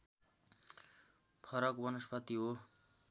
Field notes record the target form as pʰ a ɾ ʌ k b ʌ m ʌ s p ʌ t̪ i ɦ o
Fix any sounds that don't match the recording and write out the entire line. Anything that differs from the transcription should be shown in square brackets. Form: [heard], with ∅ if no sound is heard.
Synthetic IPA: pʰ [ʌ] ɾ ʌ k b ʌ [n] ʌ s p ʌ t̪ i ɦ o